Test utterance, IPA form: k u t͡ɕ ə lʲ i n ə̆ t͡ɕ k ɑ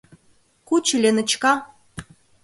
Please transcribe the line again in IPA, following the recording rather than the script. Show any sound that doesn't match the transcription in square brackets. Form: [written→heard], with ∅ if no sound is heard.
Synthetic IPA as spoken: k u t͡ɕ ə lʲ [i→e] n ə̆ t͡ɕ k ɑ